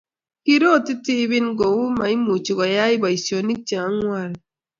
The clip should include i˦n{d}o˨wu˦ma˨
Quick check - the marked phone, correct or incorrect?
incorrect